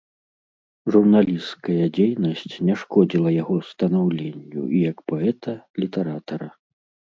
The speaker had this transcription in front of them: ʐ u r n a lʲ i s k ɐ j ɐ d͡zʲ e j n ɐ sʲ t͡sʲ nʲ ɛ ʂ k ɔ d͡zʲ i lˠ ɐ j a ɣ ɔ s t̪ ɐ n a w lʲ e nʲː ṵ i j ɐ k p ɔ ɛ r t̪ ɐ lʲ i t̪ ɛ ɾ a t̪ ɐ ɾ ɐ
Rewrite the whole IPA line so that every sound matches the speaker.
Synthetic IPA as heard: ʐ u r n a lʲ i s k ɐ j ɐ d͡zʲ e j n ɐ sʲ t͡sʲ nʲ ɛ ʂ k ɔ d͡zʲ i lˠ ɐ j a ɣ ɔ s t̪ ɐ n a w lʲ e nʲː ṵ i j ɐ k p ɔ ɛ t̪ ɐ lʲ i t̪ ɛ ɾ a t̪ ɐ ɾ ɐ